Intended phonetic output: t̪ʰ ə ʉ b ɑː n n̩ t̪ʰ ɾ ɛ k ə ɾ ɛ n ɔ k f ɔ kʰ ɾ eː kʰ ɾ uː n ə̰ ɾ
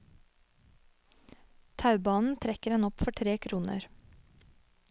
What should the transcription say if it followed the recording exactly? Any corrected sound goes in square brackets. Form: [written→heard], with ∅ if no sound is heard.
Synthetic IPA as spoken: t̪ʰ [ə→ɑ] ʉ b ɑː n n̩ t̪ʰ ɾ ɛ k ə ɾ ɛ n ɔ [k→p] f ɔ [kʰ→ʈʰ] ɾ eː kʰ ɾ uː n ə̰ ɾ